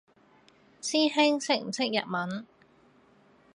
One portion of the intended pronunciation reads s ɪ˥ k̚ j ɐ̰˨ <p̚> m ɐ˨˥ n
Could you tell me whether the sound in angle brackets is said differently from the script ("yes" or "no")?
yes